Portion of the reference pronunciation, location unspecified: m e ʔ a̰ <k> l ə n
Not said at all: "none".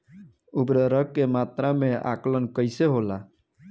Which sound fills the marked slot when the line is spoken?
k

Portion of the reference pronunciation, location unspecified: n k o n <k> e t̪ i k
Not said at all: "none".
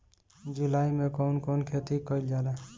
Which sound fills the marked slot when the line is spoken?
kʰ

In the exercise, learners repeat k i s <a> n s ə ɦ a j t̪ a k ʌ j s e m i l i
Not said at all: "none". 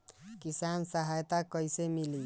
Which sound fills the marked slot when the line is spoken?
a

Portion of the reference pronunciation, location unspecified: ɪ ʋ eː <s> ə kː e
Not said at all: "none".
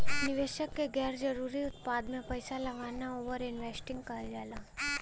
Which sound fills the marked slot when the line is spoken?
ʃ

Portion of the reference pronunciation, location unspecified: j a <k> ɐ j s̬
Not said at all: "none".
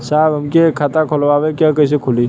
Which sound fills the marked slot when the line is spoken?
k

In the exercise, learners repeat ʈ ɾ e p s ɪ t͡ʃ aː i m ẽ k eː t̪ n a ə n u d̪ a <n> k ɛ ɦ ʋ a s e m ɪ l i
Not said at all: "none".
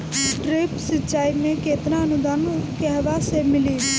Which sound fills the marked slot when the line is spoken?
n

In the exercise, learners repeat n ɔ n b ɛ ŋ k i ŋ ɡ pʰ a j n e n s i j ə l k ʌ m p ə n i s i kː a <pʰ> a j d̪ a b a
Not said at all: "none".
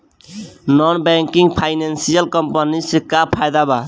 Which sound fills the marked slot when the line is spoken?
pʰ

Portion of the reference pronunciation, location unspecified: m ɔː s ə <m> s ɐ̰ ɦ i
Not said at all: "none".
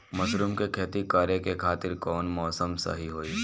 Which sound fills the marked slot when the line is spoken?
m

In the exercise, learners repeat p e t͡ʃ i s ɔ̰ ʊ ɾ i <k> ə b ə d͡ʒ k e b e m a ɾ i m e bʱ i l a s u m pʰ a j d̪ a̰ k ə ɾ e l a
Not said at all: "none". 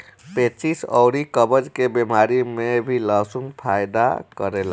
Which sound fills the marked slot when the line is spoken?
k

